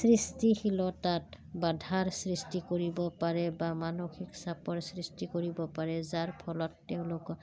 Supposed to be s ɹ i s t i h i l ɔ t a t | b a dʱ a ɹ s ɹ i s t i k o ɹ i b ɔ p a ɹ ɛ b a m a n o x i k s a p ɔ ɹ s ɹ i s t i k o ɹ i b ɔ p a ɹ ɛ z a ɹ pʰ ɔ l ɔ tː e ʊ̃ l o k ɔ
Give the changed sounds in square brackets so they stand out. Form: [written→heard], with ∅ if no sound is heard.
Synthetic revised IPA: s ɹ i s t i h i l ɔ t a t | b a dʱ a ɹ s ɹ i s t i k o ɹ i b ɔ p a ɹ ɛ b a m a n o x i k s a p ɔ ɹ s ɹ i s t i k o ɹ i b ɔ p a ɹ ɛ z a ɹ pʰ ɔ l ɔ tː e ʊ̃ l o k ɔ